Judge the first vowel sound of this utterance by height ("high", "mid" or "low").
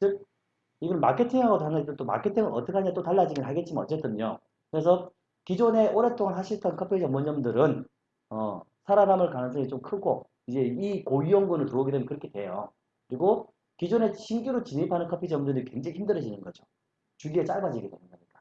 high